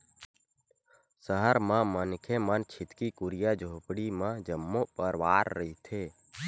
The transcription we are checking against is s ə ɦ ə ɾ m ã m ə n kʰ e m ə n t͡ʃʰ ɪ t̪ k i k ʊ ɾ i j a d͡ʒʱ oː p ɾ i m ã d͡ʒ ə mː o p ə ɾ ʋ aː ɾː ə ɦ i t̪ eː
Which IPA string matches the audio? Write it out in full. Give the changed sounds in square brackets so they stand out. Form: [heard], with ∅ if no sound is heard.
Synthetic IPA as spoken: s ə ɦ ə ɾ m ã m ə n kʰ e m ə n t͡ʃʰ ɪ t̪ k i k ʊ ɾ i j a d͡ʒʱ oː p [ɽ] i m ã d͡ʒ ə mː o p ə ɾ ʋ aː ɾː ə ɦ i [t̪ʰ] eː